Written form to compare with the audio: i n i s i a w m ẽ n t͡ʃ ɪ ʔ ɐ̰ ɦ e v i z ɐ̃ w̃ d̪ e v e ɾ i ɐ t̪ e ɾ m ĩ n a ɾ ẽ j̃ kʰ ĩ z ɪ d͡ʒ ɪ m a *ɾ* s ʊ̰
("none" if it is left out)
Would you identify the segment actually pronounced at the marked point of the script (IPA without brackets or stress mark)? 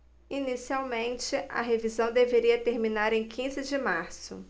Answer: ɾ